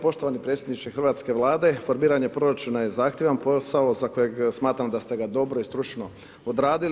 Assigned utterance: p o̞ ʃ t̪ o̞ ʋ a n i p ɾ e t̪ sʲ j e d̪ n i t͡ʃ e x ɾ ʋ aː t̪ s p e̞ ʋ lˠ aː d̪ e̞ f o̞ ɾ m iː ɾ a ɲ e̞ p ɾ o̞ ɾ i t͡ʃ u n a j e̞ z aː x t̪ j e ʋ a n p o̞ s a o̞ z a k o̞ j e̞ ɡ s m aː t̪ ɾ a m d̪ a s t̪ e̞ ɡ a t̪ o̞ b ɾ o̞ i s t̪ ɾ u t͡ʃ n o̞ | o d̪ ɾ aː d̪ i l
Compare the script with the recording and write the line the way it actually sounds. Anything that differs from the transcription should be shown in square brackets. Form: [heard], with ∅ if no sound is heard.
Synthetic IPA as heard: p o̞ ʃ t̪ o̞ ʋ a n i p ɾ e t̪ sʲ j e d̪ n i t͡ʃ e x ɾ ʋ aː t̪ s [k] e̞ ʋ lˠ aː d̪ e̞ f o̞ ɾ m iː ɾ a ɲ e̞ p ɾ o̞ ɾ [a] t͡ʃ u n a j e̞ z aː x t̪ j e ʋ a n p o̞ s a o̞ z a k o̞ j e̞ ɡ s m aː t̪ ɾ a m d̪ a s t̪ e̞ ɡ a [d̪] o̞ b ɾ o̞ i s t̪ ɾ u t͡ʃ n o̞ | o d̪ ɾ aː d̪ i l

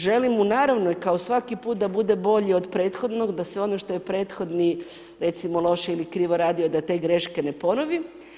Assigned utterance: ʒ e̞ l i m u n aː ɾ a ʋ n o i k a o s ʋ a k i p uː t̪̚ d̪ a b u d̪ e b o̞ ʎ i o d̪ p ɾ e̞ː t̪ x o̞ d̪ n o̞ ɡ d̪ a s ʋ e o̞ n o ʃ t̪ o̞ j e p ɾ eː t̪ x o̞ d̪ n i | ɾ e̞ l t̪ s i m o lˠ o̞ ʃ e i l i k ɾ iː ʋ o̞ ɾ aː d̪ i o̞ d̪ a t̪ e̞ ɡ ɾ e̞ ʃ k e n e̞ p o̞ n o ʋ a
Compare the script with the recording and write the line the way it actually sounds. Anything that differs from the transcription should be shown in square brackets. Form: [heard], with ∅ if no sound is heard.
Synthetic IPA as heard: ʒ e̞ l i m u n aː ɾ a ʋ n o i k a o s ʋ a k i p uː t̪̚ d̪ a b u d̪ e b o̞ ʎ i o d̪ p ɾ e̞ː t̪ x o̞ d̪ n o̞ ɡ d̪ a s ʋ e o̞ n o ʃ t̪ o̞ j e p ɾ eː t̪ x o̞ d̪ n i | ɾ e̞ [∅] t̪ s i m o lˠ o̞ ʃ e i l i k ɾ iː ʋ o̞ ɾ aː d̪ i o̞ d̪ a t̪ e̞ ɡ ɾ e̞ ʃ k e n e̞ p o̞ n o ʋ [i]

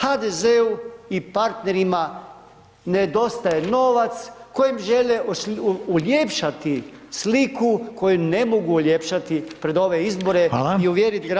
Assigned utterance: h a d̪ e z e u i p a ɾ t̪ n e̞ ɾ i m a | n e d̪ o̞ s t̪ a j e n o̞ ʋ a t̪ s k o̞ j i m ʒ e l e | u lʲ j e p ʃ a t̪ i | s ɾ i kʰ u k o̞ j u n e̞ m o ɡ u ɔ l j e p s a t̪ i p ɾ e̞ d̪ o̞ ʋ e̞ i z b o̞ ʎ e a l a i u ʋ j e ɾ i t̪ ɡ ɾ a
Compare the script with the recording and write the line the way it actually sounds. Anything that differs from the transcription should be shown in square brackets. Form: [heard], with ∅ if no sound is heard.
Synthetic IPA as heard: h a d̪ e z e u i p a ɾ t̪ n e̞ ɾ i m a | n e d̪ o̞ s t̪ a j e n o̞ ʋ a t̪ s k o̞ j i m ʒ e l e | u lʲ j e p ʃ a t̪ i | s [l] i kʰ u k o̞ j u n e̞ m o ɡ u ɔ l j e p [ʃ] a t̪ i p ɾ e̞ d̪ o̞ ʋ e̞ i z b o̞ [ɾ] e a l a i u ʋ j e ɾ i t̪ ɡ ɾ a

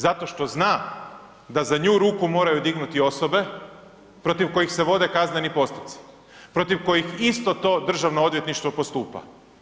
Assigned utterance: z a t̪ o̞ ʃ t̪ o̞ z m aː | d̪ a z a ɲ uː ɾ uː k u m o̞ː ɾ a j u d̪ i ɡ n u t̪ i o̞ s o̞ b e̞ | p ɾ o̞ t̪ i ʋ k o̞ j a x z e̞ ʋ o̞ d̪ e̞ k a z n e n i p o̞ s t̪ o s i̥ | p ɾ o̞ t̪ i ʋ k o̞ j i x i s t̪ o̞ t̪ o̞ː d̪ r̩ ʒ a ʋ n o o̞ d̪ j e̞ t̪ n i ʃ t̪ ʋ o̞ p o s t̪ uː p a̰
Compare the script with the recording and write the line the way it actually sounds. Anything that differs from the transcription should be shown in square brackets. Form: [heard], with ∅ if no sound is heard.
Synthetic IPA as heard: z a t̪ o̞ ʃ t̪ o̞ z [n] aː | d̪ a z a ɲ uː ɾ uː k u m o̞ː ɾ a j u d̪ i ɡ n u t̪ i o̞ s o̞ b e̞ | p ɾ o̞ t̪ i ʋ k o̞ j [i] x [s] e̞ ʋ o̞ d̪ e̞ k a z n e n i p o̞ s t̪ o s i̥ | p ɾ o̞ t̪ i ʋ k o̞ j i x i s t̪ o̞ t̪ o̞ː d̪ r̩ ʒ a ʋ n o o̞ d̪ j e̞ t̪ n i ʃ t̪ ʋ o̞ p o s t̪ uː p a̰

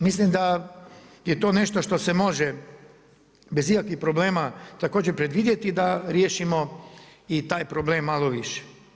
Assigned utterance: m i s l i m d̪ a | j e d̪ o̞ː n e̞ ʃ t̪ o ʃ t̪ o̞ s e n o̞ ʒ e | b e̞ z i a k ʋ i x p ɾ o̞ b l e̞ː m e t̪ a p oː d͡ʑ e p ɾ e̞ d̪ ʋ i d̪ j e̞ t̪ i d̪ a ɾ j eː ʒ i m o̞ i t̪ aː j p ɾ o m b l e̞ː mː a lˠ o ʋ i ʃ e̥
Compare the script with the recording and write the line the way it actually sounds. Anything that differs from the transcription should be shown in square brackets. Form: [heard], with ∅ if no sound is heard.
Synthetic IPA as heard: m i s l i m d̪ a | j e [t̪] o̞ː n e̞ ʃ t̪ o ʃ t̪ o̞ s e [m] o̞ ʒ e | b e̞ z i a k ʋ i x p ɾ o̞ b l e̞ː m [a] t̪ a [k] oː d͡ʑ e p ɾ e̞ d̪ ʋ i d̪ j e̞ t̪ i d̪ a ɾ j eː [ʃ] i m o̞ i t̪ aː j p ɾ o [∅] b l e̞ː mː a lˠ o ʋ i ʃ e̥

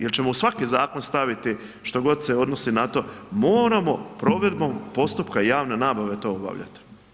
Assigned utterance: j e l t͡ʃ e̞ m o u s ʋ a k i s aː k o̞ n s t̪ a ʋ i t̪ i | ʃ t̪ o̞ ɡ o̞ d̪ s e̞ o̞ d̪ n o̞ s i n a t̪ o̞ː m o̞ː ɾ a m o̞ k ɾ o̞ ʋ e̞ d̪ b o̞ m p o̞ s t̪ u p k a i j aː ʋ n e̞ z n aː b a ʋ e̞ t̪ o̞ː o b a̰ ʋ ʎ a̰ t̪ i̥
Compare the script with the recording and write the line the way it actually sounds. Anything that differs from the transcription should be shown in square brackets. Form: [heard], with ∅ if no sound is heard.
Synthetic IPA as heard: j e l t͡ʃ e̞ m o u s ʋ a k i [z] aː k o̞ n s t̪ a ʋ i t̪ i | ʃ t̪ o̞ ɡ o̞ d̪ s e̞ o̞ d̪ n o̞ s i n a t̪ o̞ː m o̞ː ɾ a m o̞ [p] ɾ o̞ ʋ e̞ d̪ b o̞ m p o̞ s t̪ u p k a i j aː ʋ n e̞ [∅] n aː b a ʋ e̞ t̪ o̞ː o b a̰ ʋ ʎ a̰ t̪ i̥

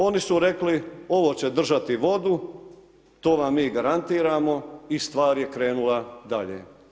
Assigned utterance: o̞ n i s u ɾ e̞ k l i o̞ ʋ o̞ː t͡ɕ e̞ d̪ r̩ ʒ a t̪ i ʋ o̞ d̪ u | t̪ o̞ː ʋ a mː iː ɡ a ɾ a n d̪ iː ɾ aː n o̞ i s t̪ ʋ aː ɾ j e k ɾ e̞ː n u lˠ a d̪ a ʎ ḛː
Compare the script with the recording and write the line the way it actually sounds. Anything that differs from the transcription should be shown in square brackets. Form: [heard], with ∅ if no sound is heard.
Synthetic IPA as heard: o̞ n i s u ɾ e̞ k l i o̞ ʋ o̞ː t͡ɕ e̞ d̪ r̩ ʒ a t̪ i ʋ o̞ d̪ u | t̪ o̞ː ʋ a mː iː ɡ a ɾ a n [t̪] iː ɾ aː [m] o̞ i s t̪ ʋ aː ɾ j e k ɾ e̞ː n u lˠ a d̪ a ʎ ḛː

